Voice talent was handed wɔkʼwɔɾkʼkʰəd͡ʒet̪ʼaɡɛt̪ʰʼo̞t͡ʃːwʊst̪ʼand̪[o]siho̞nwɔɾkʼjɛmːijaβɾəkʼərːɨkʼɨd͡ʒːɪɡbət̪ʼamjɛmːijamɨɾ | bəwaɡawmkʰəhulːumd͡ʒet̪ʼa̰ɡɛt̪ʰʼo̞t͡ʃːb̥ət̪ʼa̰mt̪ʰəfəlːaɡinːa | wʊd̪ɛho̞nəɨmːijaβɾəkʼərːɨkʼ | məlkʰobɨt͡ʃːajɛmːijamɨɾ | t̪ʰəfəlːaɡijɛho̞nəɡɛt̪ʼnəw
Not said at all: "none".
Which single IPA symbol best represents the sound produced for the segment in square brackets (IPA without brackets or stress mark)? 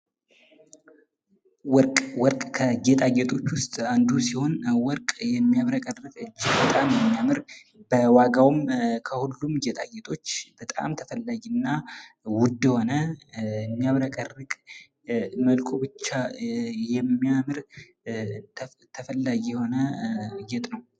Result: u